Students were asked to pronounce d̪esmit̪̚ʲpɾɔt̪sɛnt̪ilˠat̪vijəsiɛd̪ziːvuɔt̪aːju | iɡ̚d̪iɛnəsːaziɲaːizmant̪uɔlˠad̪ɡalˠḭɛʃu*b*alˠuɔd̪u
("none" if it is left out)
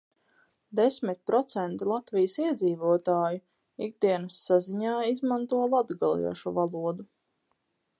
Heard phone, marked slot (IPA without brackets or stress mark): v